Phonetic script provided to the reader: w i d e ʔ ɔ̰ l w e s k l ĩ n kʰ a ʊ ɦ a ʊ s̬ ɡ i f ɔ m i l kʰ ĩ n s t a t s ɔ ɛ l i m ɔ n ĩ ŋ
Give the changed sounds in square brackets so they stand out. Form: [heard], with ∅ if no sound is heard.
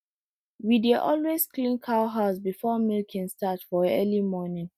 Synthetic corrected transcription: w i d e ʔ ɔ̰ l w e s k l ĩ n kʰ a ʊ ɦ a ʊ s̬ [b] i f ɔ m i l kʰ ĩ n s t a t [f] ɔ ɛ l i m ɔ n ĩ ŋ